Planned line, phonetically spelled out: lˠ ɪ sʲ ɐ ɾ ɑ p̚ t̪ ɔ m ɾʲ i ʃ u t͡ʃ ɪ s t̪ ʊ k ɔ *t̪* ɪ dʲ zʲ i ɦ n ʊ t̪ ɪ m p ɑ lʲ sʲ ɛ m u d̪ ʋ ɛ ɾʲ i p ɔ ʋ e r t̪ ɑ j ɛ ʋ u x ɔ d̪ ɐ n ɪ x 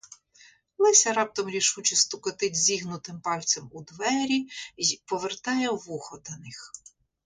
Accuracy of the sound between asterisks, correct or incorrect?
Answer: correct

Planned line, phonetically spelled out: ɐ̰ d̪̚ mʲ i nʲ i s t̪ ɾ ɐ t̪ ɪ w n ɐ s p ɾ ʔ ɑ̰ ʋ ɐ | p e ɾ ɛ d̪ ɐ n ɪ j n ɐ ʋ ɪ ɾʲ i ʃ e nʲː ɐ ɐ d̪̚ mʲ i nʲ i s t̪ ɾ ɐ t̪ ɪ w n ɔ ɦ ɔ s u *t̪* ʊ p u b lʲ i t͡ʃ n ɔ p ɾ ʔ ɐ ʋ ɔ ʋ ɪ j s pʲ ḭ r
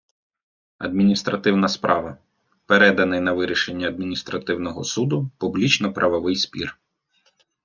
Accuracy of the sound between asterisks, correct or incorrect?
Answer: incorrect: d̪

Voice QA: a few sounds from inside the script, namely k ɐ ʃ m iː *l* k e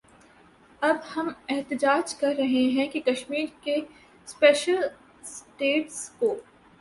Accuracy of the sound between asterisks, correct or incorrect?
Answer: incorrect: ɾ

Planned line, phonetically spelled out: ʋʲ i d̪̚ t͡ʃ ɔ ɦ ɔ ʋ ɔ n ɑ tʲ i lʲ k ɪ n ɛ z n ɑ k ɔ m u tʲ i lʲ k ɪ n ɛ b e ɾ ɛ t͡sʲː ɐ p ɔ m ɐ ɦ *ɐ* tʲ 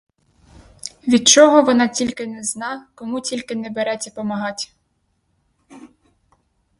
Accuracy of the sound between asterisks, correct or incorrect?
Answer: incorrect: ɑ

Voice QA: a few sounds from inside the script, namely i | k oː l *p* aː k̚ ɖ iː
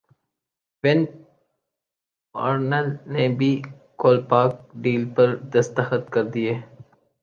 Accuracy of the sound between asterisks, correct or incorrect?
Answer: correct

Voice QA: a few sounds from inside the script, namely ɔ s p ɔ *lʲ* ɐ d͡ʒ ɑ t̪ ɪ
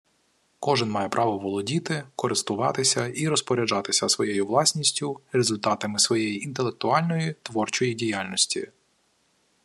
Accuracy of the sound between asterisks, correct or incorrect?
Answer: incorrect: ɾʲ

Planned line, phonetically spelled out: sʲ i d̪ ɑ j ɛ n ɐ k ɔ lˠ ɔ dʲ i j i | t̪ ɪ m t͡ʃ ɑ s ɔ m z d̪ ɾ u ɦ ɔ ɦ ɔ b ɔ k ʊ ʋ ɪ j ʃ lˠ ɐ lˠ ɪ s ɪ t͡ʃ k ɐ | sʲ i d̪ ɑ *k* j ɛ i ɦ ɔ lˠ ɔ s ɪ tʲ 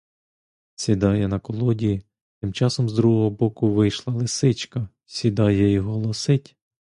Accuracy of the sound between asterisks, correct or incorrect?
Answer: incorrect: none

